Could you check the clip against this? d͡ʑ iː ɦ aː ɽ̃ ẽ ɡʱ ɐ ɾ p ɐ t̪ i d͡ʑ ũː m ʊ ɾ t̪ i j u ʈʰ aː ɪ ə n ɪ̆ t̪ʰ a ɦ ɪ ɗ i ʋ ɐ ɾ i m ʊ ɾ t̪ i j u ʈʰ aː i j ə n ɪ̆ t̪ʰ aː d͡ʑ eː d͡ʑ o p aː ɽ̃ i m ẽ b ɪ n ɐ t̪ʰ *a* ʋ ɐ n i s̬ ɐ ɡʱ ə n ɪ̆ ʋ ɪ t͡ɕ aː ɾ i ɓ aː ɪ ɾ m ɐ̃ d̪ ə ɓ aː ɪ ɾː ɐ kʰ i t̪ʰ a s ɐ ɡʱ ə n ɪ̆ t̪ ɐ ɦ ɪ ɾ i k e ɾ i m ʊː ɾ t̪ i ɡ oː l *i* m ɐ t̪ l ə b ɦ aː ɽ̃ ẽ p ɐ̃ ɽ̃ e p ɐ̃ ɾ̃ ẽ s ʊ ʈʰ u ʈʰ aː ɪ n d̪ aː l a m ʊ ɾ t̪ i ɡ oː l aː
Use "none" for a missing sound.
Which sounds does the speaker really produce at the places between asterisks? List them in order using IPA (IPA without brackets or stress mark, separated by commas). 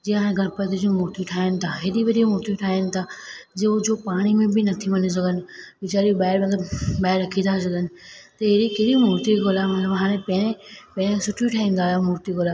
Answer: i, a